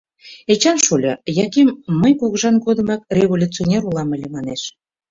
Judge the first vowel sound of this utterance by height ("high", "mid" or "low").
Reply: mid